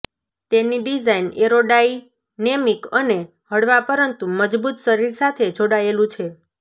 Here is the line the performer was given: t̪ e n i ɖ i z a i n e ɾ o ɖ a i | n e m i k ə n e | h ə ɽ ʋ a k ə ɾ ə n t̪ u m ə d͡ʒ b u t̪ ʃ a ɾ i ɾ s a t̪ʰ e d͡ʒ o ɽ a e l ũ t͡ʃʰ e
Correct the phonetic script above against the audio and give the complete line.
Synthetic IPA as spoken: t̪ e n i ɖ i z a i n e ɾ o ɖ a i | n e m i k ə n e | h ə ɽ ʋ a p ə ɾ ə n t̪ u m ə d͡ʒ b u t̪ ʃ ə ɾ i ɾ s a t̪ʰ e d͡ʒ o ɽ a e l ũ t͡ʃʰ e